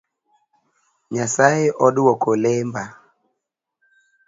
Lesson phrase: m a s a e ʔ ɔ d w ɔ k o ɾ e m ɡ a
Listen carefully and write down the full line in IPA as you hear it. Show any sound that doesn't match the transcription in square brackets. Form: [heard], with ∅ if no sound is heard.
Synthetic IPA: [ɲ] a s a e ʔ ɔ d w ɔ k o [l] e m [b] a